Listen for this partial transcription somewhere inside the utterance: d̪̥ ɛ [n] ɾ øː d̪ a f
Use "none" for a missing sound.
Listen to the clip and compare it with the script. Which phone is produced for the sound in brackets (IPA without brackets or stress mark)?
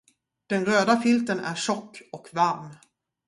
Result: n